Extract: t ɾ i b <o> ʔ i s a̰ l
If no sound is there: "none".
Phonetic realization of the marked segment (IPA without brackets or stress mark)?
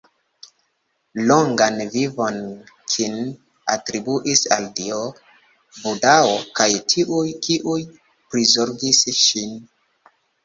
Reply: u